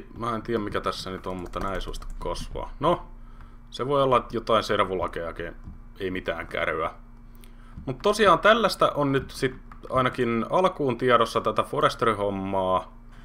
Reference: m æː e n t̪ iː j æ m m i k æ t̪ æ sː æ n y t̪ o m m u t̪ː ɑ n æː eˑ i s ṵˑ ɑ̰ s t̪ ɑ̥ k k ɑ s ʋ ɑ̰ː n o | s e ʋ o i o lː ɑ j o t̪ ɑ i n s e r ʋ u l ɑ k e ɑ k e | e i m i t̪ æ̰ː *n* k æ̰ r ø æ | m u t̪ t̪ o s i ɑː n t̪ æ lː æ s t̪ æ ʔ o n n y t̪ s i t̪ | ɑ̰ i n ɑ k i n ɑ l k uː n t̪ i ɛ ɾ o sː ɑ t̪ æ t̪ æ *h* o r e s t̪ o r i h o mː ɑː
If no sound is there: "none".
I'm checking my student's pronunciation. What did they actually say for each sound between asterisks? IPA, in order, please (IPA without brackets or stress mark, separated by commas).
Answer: ŋ, f